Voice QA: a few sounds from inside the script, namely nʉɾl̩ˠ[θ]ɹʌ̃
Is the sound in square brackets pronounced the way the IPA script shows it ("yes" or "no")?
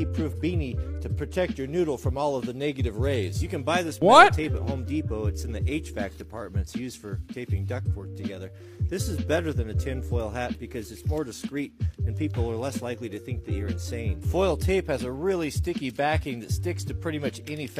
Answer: no